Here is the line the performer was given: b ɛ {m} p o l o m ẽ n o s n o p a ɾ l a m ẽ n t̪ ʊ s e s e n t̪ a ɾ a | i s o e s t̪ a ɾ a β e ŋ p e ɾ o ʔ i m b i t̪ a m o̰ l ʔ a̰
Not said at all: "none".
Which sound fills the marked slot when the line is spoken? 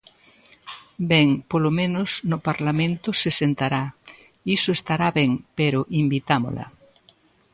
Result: ŋ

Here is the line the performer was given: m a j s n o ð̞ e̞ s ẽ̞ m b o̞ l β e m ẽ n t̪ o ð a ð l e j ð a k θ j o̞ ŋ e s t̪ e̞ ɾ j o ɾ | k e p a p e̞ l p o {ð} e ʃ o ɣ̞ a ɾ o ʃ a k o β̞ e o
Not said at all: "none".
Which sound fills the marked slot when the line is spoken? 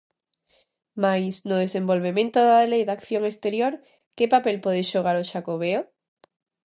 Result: ð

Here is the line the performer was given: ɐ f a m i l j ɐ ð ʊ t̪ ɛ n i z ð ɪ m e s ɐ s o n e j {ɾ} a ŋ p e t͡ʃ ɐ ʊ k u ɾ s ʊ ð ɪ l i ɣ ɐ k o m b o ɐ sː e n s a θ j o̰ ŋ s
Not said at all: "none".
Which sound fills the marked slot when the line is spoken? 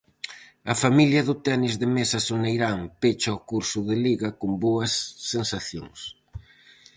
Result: ɾ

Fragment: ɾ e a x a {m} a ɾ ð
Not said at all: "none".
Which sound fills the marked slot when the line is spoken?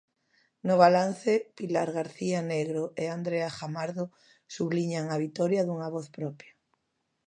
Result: m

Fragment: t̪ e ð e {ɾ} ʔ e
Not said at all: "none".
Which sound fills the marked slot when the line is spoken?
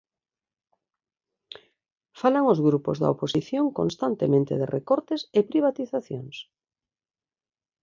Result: r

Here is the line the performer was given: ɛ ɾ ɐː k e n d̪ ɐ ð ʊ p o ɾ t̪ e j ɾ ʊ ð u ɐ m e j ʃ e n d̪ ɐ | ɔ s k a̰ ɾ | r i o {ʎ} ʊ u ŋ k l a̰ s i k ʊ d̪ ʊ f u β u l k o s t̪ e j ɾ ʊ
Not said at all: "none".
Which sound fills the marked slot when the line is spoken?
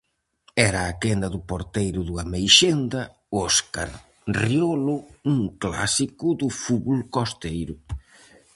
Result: l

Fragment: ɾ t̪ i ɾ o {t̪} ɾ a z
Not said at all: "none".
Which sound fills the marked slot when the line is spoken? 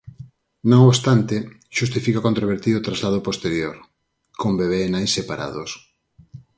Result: t̪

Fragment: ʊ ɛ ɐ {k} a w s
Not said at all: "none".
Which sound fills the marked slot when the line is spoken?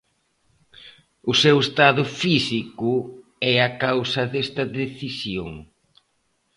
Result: k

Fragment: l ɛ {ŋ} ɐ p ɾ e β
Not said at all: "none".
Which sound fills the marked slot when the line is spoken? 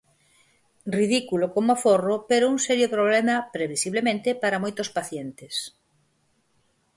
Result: m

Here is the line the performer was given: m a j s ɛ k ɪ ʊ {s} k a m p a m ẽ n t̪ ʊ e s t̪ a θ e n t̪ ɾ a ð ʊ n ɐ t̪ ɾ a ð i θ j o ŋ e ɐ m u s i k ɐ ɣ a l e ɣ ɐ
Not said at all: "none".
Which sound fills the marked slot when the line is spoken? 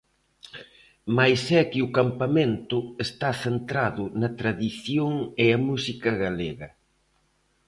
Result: none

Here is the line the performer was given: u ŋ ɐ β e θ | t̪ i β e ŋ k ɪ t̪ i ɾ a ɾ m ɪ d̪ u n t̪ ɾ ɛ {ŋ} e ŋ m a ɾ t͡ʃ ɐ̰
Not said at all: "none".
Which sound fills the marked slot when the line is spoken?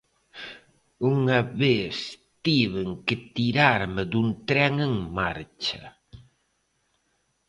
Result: ŋ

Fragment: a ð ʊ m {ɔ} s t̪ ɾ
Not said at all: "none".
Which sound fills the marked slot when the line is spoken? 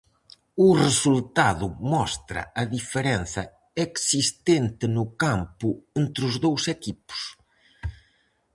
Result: ɔ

